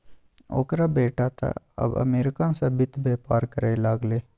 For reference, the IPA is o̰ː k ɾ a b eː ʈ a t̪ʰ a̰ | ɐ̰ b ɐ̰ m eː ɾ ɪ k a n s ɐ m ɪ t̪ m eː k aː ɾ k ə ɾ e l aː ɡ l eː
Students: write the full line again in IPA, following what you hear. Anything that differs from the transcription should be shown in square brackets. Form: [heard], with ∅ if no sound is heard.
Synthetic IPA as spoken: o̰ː k ɾ a b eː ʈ a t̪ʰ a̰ | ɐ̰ b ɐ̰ m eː ɾ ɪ k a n s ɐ [b] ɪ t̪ [b] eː [p] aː ɾ k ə ɾ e l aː ɡ l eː